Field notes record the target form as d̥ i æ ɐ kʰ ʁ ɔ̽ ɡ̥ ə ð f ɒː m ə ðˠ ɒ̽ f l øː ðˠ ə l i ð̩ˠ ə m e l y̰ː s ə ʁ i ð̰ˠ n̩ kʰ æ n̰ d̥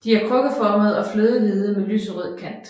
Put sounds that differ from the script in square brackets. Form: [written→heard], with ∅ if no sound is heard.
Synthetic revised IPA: d̥ i æ ɐ kʰ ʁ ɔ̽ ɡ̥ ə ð f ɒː m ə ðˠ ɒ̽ f l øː ðˠ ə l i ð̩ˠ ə m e l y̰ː s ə ʁ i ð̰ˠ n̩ kʰ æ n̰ d̥